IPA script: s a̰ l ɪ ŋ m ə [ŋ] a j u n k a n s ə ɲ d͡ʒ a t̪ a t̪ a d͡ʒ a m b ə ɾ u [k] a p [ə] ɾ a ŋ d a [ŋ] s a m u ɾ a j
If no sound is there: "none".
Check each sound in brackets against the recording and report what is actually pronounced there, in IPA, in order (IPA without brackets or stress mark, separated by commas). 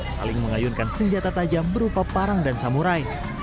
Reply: ŋ, p, a, n